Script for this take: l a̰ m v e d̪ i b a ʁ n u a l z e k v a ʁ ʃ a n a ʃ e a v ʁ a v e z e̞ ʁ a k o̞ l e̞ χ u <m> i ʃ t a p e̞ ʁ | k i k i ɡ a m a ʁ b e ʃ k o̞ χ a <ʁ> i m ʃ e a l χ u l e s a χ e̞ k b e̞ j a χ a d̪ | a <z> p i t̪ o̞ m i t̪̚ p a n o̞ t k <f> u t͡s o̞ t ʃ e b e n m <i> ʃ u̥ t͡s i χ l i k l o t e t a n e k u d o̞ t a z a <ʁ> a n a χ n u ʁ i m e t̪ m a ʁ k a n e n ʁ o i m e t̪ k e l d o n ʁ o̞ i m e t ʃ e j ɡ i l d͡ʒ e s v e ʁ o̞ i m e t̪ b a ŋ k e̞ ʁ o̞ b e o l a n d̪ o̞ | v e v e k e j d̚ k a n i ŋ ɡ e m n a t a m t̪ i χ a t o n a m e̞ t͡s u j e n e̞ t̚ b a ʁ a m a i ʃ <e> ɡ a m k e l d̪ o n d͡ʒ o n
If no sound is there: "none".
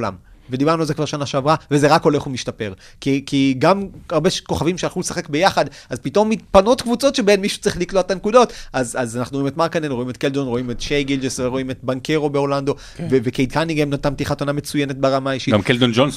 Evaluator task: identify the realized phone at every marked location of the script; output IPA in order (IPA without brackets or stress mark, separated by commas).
m, v, z, v, i, z, i